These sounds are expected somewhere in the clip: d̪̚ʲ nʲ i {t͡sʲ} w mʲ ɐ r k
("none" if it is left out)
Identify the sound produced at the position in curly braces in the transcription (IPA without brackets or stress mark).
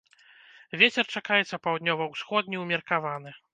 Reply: none